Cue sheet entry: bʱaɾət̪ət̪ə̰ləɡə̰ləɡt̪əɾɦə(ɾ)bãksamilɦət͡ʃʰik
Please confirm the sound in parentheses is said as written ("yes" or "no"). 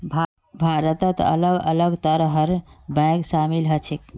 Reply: yes